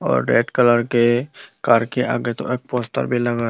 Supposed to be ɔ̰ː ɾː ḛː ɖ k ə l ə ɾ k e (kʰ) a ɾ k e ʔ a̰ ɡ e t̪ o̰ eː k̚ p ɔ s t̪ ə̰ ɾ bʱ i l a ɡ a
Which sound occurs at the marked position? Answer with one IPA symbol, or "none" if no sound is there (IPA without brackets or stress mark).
k